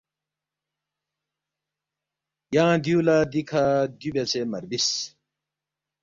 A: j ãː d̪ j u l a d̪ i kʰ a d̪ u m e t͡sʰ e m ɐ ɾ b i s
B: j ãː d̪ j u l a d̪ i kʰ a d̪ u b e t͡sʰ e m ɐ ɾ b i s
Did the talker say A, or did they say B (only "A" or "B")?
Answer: B